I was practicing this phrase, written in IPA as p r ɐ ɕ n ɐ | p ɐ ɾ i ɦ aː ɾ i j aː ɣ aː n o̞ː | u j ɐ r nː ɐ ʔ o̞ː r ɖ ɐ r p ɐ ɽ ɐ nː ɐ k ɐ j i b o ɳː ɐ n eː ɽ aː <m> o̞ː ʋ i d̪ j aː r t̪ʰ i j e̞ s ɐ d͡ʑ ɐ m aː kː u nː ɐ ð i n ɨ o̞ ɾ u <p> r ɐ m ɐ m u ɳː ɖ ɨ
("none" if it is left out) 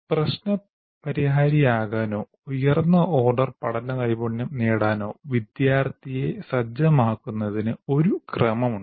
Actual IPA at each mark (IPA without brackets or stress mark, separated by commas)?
n, k